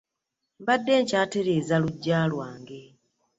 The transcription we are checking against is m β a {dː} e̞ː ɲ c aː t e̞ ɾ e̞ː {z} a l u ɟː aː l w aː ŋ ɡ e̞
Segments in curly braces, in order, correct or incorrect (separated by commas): correct, correct